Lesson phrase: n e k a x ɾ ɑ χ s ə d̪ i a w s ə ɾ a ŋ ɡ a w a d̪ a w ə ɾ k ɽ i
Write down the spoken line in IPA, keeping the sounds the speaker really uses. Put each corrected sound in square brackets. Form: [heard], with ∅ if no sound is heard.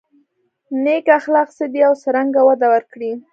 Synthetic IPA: n e k a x [l] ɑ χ s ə d̪ i a w s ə ɾ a ŋ ɡ a w a d̪ a w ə ɾ k ɽ i